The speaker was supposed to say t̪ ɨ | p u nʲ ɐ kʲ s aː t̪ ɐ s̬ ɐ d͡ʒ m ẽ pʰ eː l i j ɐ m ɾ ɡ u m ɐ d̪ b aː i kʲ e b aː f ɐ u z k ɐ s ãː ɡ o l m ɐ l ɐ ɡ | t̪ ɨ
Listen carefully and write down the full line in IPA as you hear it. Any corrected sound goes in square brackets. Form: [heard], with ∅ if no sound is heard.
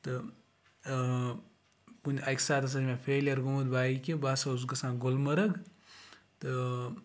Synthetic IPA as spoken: t̪ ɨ | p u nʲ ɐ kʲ s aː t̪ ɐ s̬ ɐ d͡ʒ m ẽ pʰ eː l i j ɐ [∅] ɾ ɡ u m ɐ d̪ b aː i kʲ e b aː [s] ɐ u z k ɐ s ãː ɡ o l m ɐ [ɾ] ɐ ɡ | t̪ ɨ